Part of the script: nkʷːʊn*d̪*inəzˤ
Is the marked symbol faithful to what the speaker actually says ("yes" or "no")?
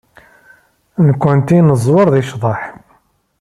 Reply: no